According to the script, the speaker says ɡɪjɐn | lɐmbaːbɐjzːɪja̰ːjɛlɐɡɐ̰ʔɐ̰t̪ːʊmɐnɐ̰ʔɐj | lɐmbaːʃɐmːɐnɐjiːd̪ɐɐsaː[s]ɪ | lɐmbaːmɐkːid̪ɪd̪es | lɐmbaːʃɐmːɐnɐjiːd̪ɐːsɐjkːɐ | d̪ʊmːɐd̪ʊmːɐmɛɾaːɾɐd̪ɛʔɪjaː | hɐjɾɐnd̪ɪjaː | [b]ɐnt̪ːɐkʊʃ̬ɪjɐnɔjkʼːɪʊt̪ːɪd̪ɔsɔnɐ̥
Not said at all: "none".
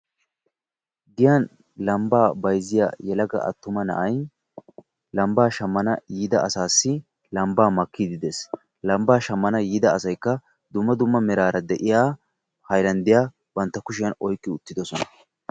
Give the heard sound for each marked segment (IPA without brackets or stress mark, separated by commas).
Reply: sː, b